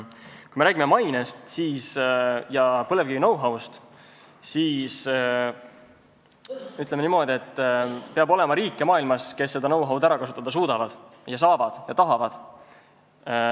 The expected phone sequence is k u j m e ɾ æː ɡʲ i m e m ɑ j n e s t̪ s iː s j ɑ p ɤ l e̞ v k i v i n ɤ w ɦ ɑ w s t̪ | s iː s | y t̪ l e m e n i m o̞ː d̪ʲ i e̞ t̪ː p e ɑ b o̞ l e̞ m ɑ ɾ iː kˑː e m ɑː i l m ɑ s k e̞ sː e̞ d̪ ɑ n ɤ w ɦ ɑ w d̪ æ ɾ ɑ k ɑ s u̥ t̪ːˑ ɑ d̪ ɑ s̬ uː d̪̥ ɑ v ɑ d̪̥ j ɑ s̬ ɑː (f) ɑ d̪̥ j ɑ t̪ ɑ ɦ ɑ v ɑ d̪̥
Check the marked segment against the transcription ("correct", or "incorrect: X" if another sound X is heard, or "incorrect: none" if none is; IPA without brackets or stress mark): incorrect: v